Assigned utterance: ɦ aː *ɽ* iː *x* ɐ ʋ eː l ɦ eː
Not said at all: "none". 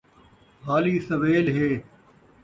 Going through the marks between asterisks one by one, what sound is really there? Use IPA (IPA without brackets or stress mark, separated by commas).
l, s